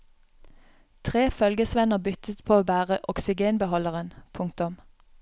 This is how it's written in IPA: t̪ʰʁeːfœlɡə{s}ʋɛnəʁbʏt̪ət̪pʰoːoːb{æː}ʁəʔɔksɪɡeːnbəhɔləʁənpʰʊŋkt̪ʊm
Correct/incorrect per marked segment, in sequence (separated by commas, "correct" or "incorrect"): correct, correct